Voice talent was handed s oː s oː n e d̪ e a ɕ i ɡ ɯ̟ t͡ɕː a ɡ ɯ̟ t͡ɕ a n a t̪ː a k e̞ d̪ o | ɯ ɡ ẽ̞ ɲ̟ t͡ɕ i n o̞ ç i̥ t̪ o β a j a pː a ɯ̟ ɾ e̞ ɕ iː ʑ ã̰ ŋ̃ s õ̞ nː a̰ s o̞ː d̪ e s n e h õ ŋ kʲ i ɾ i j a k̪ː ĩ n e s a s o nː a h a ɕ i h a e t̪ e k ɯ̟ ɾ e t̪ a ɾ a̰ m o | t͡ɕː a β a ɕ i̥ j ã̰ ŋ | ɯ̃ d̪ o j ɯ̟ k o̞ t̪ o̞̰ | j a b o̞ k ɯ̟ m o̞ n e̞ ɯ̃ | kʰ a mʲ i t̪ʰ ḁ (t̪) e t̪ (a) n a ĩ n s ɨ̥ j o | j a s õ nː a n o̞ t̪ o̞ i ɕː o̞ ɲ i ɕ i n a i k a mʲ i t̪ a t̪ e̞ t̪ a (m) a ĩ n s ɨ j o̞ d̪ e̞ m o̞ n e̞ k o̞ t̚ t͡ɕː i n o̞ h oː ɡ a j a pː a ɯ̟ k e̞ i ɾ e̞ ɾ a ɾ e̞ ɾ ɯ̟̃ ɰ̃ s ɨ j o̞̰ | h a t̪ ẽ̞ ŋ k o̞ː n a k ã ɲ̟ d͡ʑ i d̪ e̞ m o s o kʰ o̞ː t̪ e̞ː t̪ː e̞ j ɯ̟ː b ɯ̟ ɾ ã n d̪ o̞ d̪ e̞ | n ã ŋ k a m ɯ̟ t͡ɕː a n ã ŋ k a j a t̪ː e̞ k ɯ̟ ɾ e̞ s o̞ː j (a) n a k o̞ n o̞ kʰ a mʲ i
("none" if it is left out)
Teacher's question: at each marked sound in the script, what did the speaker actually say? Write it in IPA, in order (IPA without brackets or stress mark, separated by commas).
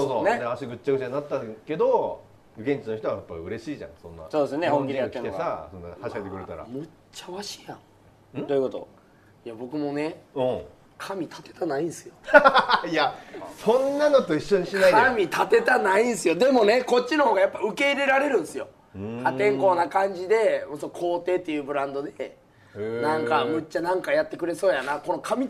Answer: t̪, a, n, a